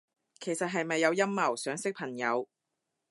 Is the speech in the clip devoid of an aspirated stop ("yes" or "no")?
no